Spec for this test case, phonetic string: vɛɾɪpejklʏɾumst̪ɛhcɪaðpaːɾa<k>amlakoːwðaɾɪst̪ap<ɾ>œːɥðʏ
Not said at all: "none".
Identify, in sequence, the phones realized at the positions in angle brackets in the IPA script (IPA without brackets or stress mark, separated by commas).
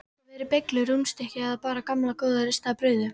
k, ɾ